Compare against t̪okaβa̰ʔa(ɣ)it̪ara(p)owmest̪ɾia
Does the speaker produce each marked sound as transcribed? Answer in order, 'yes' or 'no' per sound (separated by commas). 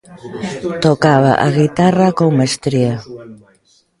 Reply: yes, no